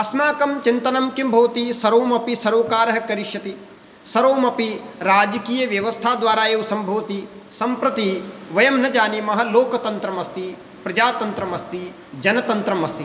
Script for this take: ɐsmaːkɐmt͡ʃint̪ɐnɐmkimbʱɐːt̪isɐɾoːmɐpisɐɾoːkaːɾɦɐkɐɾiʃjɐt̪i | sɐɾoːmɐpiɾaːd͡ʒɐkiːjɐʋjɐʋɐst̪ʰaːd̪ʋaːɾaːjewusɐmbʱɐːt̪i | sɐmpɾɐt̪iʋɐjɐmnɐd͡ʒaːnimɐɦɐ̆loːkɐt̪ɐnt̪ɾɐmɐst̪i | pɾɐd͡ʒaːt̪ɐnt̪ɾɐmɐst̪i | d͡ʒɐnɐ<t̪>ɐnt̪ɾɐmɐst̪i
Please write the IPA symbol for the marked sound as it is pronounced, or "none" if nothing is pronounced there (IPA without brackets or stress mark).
t̪